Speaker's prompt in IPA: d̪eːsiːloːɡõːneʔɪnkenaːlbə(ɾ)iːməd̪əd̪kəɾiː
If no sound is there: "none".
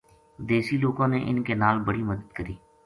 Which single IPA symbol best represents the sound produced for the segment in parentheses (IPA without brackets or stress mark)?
ɽ